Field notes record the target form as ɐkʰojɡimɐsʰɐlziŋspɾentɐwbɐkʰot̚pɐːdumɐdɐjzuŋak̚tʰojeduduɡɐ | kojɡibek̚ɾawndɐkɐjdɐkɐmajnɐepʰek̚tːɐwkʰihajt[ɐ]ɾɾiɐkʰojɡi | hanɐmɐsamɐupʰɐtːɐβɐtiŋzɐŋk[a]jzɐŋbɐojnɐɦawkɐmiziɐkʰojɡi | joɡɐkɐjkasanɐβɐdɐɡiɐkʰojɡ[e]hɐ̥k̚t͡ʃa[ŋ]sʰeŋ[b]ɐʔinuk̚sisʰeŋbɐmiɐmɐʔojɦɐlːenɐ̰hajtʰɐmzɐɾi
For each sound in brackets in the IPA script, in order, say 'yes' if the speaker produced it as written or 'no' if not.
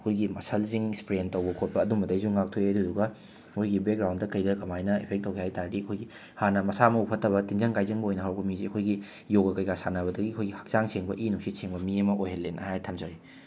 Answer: no, yes, no, yes, yes

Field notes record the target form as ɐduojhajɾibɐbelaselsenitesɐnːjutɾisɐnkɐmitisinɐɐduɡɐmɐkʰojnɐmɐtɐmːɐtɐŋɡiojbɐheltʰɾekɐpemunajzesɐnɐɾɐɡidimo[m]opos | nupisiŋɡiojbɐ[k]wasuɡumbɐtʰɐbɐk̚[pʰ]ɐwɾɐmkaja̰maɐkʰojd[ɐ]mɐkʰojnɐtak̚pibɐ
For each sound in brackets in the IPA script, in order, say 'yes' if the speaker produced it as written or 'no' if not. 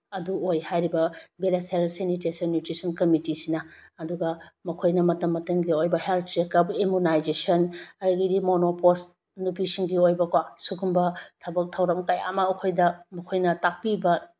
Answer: no, yes, no, yes

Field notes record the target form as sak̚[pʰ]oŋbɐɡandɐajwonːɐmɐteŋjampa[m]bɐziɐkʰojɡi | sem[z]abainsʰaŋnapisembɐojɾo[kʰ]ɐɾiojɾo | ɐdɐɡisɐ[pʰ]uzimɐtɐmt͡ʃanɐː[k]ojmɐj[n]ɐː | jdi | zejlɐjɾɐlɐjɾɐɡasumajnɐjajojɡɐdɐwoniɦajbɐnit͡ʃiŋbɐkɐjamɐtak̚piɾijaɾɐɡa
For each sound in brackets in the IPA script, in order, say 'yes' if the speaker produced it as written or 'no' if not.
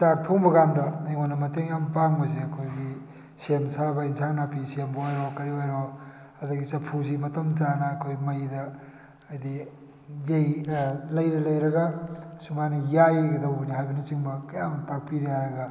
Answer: no, no, no, no, yes, no, no

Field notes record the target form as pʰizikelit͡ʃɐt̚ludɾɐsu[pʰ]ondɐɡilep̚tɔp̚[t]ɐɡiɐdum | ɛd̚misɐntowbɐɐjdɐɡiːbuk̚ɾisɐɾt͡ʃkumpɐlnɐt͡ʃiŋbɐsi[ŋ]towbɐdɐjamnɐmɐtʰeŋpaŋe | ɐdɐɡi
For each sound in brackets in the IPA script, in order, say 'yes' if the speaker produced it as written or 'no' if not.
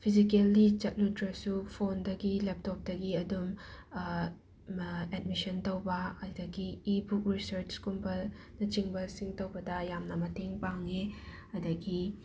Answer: yes, no, yes

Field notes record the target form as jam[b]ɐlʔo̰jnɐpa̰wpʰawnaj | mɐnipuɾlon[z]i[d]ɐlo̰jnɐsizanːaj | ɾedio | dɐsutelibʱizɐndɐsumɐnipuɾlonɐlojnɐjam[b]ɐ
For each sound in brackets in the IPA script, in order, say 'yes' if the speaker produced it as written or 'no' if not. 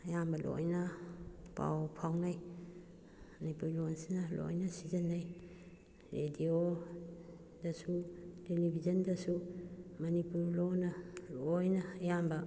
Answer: yes, no, no, yes

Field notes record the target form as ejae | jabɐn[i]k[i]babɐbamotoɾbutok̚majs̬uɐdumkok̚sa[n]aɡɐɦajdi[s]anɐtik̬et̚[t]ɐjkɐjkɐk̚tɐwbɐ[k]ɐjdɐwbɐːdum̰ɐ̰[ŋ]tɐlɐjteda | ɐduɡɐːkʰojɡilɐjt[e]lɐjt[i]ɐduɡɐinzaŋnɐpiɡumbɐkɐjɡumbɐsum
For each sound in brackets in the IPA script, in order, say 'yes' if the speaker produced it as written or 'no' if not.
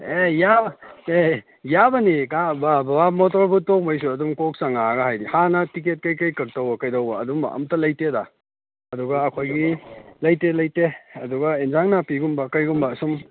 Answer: yes, no, no, no, no, yes, no, yes, no

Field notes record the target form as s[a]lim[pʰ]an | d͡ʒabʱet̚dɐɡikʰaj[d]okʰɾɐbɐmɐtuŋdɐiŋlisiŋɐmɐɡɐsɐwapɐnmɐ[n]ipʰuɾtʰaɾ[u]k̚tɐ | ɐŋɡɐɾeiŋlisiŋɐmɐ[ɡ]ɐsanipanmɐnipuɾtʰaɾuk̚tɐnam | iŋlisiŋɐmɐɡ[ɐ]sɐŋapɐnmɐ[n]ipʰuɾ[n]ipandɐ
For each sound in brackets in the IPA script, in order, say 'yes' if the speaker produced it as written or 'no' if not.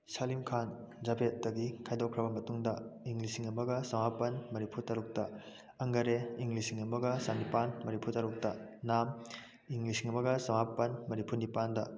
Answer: yes, no, yes, yes, yes, yes, yes, yes, yes

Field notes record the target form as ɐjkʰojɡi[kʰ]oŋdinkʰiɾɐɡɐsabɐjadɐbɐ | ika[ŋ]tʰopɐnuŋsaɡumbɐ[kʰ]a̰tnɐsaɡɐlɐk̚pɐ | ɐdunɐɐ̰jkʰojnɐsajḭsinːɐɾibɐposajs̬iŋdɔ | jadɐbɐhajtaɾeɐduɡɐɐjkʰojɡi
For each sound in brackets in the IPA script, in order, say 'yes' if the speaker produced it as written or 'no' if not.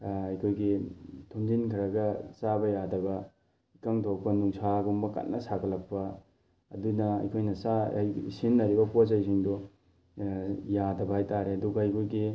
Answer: no, yes, no

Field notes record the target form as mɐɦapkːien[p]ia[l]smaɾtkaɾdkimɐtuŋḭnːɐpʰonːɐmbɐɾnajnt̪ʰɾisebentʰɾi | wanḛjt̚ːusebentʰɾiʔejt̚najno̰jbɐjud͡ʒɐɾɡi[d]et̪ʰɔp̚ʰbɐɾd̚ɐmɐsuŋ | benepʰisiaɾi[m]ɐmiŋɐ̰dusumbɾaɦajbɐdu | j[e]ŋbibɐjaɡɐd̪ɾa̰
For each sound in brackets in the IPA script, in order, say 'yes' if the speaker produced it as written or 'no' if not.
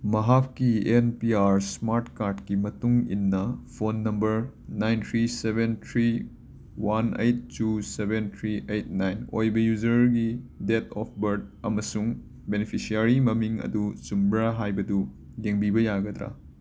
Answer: yes, no, yes, yes, yes

